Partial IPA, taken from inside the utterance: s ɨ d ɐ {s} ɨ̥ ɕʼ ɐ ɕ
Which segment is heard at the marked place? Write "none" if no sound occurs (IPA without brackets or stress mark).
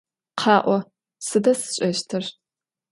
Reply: s